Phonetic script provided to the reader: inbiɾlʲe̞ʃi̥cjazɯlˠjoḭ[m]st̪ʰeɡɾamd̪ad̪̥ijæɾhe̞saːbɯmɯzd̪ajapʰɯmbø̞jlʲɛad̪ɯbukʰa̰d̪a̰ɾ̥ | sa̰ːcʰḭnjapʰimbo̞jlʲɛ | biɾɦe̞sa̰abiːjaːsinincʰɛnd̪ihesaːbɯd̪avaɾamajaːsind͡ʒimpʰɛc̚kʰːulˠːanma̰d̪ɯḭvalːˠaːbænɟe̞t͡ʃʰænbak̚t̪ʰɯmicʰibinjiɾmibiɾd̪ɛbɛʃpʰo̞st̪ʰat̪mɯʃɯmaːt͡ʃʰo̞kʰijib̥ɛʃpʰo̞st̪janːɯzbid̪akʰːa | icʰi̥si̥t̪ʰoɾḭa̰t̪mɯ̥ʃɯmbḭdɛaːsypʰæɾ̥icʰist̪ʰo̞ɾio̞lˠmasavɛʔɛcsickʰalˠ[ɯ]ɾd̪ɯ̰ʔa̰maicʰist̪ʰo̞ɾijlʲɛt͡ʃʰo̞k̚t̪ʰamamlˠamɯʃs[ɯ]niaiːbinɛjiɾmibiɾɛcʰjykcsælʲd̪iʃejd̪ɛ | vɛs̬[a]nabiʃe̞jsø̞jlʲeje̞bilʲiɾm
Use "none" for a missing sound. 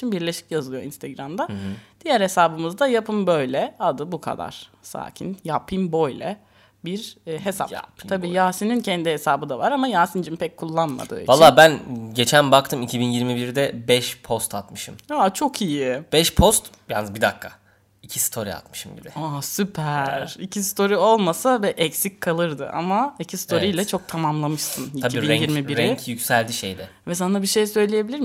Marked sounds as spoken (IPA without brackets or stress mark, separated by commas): n, ɯ, ɯ, a